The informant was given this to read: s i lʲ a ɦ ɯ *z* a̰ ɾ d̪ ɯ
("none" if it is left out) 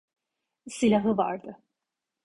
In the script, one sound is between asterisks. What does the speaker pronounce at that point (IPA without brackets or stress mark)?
v